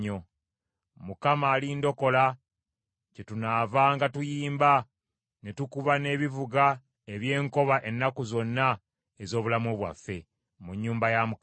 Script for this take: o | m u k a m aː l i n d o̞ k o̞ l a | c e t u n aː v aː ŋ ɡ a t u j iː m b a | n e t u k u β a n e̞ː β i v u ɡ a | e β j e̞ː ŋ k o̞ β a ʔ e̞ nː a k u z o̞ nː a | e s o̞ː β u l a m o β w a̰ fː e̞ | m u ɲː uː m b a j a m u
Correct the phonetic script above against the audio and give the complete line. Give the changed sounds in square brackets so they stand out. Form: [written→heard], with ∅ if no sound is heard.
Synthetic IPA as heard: o | m u k a m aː l i n d o̞ k o̞ l a | c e t u n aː v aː ŋ ɡ a t u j iː m b a | n e t u k u β a n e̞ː β i v u ɡ a | e β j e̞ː ŋ k o̞ β a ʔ e̞ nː a k u z o̞ nː a | e [s→z] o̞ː β u l a m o β w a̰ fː e̞ | m u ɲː uː m b a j a m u